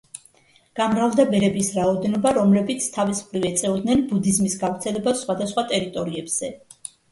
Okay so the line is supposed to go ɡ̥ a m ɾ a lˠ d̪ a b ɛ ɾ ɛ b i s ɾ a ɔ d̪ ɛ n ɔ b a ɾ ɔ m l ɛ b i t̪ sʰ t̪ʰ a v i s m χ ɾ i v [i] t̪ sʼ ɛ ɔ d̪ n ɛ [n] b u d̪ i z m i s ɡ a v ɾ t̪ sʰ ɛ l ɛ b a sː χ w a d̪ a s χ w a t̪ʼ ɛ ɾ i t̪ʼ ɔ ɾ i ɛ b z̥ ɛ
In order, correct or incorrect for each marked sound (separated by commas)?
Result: incorrect, correct